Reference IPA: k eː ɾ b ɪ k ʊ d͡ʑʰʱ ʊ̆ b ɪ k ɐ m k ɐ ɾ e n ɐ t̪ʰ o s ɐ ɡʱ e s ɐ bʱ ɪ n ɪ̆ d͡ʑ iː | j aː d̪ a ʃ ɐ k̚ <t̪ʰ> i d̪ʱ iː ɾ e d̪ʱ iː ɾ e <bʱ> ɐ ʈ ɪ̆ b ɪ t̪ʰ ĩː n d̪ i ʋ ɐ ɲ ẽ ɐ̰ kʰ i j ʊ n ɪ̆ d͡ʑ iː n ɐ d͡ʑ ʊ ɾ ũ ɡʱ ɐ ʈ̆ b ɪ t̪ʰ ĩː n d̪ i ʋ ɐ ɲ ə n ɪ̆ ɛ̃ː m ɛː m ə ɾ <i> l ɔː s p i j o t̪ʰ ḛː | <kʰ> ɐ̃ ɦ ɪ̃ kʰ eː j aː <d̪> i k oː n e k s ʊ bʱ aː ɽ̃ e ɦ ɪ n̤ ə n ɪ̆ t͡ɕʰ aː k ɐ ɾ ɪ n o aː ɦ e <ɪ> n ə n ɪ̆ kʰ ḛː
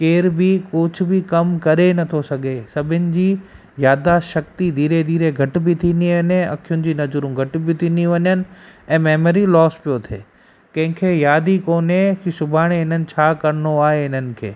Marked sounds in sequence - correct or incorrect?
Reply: incorrect: t̪, incorrect: ɡʱ, correct, incorrect: k, correct, correct

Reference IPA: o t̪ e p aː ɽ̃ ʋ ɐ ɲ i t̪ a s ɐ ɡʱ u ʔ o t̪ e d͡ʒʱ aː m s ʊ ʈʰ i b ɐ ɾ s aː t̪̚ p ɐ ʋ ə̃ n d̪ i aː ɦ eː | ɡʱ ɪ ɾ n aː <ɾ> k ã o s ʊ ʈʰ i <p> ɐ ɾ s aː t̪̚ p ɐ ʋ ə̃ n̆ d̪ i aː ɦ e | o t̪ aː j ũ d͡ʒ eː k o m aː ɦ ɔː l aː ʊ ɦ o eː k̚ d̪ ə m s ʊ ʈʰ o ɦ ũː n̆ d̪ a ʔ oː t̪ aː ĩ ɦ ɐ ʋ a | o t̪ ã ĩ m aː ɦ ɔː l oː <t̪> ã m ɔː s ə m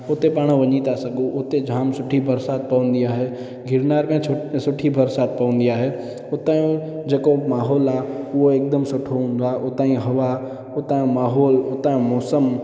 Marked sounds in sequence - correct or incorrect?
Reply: correct, incorrect: b, correct

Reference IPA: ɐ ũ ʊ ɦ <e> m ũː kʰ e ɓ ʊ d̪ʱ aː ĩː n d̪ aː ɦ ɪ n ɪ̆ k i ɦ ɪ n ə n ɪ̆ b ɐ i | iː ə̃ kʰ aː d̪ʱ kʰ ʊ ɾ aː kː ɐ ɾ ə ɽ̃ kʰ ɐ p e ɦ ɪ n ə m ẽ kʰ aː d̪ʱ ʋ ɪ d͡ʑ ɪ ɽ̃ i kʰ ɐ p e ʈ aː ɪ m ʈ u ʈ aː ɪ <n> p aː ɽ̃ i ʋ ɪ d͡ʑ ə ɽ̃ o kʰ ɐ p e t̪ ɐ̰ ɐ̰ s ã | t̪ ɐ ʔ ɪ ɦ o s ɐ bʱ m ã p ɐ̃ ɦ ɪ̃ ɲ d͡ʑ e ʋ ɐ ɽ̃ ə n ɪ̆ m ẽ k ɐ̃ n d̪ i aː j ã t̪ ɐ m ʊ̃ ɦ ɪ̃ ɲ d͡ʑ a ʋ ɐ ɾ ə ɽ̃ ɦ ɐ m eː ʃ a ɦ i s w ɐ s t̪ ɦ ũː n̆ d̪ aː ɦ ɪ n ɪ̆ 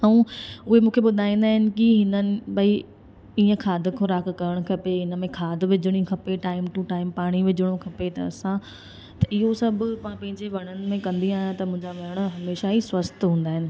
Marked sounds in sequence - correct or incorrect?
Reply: correct, incorrect: m

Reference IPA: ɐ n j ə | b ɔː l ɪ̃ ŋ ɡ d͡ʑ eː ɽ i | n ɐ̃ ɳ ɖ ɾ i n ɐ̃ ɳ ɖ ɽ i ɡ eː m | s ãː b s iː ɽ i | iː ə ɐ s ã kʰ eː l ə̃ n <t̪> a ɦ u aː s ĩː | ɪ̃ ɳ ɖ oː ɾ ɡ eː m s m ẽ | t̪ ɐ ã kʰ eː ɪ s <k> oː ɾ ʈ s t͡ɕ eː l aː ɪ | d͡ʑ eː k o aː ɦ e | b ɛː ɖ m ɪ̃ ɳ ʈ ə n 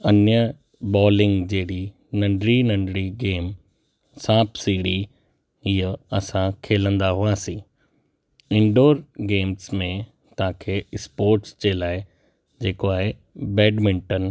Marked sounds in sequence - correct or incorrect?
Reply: incorrect: d̪, incorrect: p

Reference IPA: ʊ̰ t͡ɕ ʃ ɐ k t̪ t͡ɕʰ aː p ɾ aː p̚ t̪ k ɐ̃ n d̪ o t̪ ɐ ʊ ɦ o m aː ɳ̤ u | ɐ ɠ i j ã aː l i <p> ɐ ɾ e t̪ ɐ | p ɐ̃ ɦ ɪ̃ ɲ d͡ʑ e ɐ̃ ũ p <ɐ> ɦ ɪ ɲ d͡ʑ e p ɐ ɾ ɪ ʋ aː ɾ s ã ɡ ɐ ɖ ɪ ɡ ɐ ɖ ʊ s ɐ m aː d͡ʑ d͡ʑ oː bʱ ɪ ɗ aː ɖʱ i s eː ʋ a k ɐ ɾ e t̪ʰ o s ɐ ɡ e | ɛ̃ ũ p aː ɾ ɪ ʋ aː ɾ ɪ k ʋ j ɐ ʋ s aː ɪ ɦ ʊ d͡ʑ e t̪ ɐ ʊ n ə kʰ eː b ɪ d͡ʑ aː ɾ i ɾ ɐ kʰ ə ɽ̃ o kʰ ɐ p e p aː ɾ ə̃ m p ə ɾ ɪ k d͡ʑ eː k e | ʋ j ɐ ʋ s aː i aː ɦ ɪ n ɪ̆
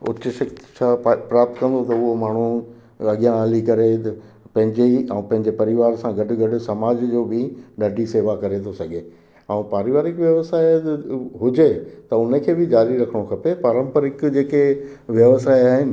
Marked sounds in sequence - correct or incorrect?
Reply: incorrect: k, incorrect: ɐ̃

